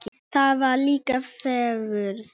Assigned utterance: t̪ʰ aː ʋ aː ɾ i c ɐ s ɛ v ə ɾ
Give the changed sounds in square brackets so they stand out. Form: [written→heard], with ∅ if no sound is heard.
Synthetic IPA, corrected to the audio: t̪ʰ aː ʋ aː [ɾ→l] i [c→k] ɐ [s→f] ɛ [v→ɣ] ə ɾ